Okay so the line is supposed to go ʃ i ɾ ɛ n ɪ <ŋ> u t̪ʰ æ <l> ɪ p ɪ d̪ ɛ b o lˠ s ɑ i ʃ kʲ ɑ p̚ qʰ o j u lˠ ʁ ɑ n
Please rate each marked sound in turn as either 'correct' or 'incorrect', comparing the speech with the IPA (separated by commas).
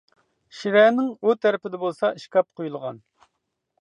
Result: correct, incorrect